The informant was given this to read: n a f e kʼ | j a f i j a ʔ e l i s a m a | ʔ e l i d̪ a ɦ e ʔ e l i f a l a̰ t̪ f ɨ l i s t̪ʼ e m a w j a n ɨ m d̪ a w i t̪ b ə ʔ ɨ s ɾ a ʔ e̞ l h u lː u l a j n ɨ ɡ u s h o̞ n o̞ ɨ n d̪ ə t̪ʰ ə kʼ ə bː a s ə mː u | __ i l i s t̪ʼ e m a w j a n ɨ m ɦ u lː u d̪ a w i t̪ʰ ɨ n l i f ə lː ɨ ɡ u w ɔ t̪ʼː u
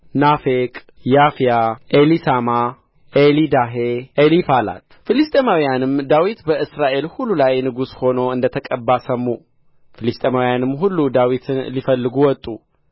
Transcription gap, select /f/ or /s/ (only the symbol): f